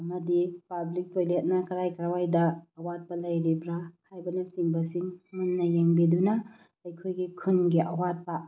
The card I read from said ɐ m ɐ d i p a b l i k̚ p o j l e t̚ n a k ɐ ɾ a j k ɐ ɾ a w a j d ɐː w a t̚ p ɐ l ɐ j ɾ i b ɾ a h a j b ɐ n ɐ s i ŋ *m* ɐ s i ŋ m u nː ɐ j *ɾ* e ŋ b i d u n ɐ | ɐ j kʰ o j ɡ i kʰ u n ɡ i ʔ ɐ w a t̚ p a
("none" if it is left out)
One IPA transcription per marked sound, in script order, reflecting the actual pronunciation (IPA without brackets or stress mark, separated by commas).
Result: b, ɾ